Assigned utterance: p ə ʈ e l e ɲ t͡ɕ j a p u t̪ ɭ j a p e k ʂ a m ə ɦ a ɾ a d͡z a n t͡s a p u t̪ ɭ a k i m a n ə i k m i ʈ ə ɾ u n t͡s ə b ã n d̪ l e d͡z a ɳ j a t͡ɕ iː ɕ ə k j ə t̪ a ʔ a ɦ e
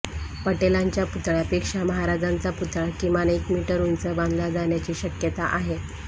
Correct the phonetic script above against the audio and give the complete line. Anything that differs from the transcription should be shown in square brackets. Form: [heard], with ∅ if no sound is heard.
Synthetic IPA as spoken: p ə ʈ e l [a] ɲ t͡ɕ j a p u t̪ ɭ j a p e k ʂ a m ə ɦ a ɾ a d͡z a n t͡s a p u t̪ ɭ a k i m a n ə i k m i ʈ ə ɾ u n t͡s ə b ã n d̪ l [a] d͡z a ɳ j a t͡ɕ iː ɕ ə k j ə t̪ a ʔ a ɦ e

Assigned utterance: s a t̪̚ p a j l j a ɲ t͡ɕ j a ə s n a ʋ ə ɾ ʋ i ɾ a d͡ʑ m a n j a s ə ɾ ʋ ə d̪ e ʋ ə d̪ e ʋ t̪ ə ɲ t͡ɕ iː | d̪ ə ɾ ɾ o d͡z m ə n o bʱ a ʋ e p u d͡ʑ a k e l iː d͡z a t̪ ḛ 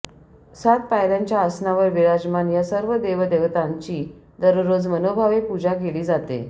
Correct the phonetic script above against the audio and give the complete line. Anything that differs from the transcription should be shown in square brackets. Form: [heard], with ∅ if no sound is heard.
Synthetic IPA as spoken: s a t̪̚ p a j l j a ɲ t͡ɕ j a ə s n a ʋ ə ɾ ʋ i ɾ a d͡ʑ m a n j a s ə ɾ ʋ ə d̪ e ʋ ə d̪ e ʋ t̪ [a] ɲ t͡ɕ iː | d̪ ə ɾ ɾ o d͡z m ə n o bʱ a ʋ e p u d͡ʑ a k e l iː d͡z a t̪ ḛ

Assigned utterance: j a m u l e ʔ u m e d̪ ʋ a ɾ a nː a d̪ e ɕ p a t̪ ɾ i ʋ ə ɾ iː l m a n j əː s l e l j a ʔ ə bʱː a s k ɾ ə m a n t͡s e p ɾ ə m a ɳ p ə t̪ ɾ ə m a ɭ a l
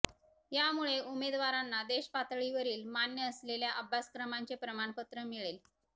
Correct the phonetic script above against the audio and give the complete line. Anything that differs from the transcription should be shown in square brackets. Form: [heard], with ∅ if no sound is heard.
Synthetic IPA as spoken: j a m u [ɭ] e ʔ u m e d̪ ʋ a ɾ a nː a d̪ e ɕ p a t̪ [ɭ] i ʋ ə ɾ iː l m a n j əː s l e l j a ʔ ə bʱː a s k ɾ ə m a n t͡s e p ɾ ə m a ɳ p ə t̪ ɾ ə m [i] ɭ [e] l

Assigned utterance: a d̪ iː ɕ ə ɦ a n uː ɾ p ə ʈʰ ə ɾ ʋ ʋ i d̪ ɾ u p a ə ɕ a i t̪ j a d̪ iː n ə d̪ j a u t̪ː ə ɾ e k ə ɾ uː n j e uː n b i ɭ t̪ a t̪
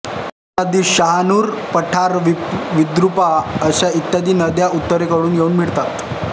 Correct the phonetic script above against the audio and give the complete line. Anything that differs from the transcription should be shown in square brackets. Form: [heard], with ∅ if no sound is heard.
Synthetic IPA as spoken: a d̪ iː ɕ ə ɦ a n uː ɾ p ə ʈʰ [a] ɾ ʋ ʋ i d̪ ɾ u p a ə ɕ a i t̪ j a d̪ iː n ə d̪ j a u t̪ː ə ɾ e k ə [ɽ] uː n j e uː n [m] i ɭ t̪ a t̪

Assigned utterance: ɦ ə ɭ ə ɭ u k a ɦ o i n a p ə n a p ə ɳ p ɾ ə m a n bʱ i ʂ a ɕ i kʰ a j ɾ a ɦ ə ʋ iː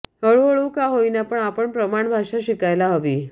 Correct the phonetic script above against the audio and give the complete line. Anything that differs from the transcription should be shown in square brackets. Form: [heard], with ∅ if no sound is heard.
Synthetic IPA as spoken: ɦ ə ɭ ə ɭ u k a ɦ o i n a p ə [ɳ] a p ə ɳ p ɾ ə m a [ɳ] bʱ [a] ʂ a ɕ i [k] a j [l] a ɦ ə ʋ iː

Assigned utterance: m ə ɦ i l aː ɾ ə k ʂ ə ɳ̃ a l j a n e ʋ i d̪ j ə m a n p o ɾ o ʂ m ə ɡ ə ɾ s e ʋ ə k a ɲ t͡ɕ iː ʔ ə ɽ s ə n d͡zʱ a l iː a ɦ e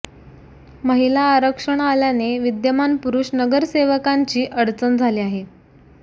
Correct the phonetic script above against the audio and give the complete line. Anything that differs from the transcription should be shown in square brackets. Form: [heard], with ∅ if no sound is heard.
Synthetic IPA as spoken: m ə ɦ i l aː ɾ ə k ʂ ə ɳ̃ a l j a n e ʋ i d̪ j ə m a n p [u] ɾ [u] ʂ [n] ə ɡ ə ɾ s e ʋ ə k a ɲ t͡ɕ iː ʔ ə ɽ [t͡s] ə n d͡zʱ a l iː a ɦ e

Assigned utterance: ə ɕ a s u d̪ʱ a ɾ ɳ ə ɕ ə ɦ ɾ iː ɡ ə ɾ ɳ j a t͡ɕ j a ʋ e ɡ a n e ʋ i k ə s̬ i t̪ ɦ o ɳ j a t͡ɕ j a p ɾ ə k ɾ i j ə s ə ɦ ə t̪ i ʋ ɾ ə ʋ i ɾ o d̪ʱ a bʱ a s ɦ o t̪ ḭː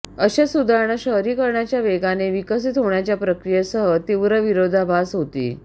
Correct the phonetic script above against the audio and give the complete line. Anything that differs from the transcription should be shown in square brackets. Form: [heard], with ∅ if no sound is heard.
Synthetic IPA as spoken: ə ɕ a s u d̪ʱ a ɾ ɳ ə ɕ ə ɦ ɾ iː [k] ə ɾ ɳ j a t͡ɕ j a ʋ e ɡ a n e ʋ i k ə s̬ i t̪ ɦ o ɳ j a t͡ɕ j a p ɾ ə k ɾ i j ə s ə ɦ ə t̪ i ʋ ɾ ə ʋ i ɾ o d̪ʱ a bʱ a s ɦ o t̪ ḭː

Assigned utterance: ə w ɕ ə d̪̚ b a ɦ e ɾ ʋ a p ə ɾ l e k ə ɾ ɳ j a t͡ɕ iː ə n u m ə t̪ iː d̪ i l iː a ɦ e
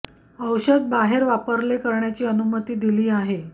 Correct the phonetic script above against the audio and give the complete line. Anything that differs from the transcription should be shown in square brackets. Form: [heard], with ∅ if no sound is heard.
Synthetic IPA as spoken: ə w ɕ ə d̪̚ b a ɦ e ɾ ʋ a p ə ɾ l e k ə ɾ ɳ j a t͡ɕ iː ə n u m ə t̪ iː d̪ i l iː a ɦ e

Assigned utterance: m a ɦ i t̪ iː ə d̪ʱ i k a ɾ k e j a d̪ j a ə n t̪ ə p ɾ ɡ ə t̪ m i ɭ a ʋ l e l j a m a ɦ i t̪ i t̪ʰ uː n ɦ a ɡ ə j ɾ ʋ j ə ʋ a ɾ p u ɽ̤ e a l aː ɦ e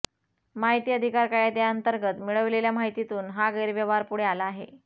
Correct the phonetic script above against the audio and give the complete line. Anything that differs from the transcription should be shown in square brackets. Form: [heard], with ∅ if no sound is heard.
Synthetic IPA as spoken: m a ɦ i t̪ iː ə d̪ʱ i k a ɾ k [a] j a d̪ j a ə n t̪ ə [∅] ɾ ɡ ə t̪ m i ɭ [ə] ʋ l e l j a m a ɦ i t̪ i [t̪] uː n ɦ a ɡ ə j ɾ ʋ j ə ʋ a ɾ p u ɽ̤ e a l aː ɦ e

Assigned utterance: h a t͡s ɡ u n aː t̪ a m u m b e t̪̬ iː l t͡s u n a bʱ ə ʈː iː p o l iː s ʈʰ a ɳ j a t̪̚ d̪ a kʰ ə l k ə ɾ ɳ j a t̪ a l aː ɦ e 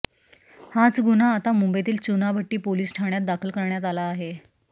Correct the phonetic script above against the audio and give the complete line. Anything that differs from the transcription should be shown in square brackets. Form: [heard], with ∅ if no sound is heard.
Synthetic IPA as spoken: h a t͡s ɡ u n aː t̪ a m u m b e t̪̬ iː l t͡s u n a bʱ ə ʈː iː p o l iː s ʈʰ a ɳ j a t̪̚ d̪ a kʰ ə l k ə ɾ ɳ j a t̪ a l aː ɦ e

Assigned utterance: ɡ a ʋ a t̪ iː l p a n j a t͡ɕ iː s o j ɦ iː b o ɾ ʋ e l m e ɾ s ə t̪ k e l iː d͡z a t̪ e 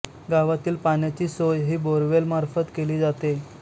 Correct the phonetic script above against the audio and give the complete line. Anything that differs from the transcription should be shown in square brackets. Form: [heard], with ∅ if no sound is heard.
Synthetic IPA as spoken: ɡ a ʋ a t̪ iː l p a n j a t͡ɕ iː s o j ɦ iː b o ɾ ʋ e l m [a] ɾ [f] ə t̪ k e l iː d͡z a t̪ e

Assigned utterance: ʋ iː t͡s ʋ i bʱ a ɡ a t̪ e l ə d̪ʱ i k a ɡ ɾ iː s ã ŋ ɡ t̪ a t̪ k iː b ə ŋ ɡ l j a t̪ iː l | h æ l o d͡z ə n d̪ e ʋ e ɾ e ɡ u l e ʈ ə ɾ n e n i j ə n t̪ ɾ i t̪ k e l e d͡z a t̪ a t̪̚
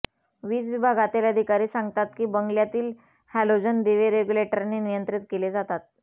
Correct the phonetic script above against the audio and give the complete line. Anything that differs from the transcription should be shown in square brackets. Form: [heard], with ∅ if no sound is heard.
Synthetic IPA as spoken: ʋ iː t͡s ʋ i bʱ a ɡ a t̪ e l ə d̪ʱ i k a [∅] ɾ iː s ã ŋ ɡ t̪ a t̪ k iː b ə ŋ ɡ l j a t̪ iː l | h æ l o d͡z ə n d̪ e ʋ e ɾ e ɡ u l e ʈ ə ɾ n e n i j ə n t̪ ɾ i t̪ k e l e d͡z a t̪ a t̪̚

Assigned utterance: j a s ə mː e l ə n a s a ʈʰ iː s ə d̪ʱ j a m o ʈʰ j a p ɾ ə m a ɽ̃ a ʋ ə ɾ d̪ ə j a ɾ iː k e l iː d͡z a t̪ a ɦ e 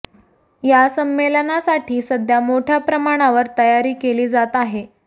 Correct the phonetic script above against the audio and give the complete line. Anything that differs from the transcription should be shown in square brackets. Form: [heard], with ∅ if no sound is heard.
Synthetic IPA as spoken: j a s ə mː e l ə n a s a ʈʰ iː s ə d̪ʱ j a m o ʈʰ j a p ɾ ə m a ɽ̃ a ʋ ə ɾ [t̪] ə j a ɾ iː k e l iː d͡z a t̪ a ɦ e

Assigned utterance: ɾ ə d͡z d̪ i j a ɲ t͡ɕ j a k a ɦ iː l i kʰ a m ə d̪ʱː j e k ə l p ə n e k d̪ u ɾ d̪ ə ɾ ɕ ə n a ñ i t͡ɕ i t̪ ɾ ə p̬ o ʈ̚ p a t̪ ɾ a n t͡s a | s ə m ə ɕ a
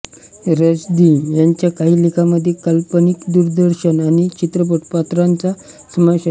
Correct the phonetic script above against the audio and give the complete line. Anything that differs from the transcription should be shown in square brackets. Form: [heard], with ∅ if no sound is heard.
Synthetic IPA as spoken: ɾ ə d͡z d̪ i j a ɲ t͡ɕ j a k a ɦ iː l i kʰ a m ə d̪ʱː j e k ə l p ə n [i] k d̪ u ɾ d̪ ə ɾ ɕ ə n a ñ i t͡ɕ i t̪ ɾ ə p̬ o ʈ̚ p a t̪ ɾ a n t͡s a | s ə m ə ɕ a

